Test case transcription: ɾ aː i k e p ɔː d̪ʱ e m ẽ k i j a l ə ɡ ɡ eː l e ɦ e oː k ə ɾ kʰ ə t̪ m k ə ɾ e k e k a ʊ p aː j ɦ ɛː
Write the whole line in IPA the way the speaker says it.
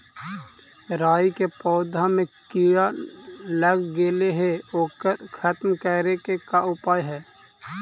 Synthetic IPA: ɾ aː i k e p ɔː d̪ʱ a m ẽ k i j a l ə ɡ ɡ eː l e ɦ e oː k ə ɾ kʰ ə t̪ m k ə ɾ e k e k a ʊ p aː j ɦ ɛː